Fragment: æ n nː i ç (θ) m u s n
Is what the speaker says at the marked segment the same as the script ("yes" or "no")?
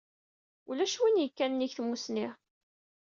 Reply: yes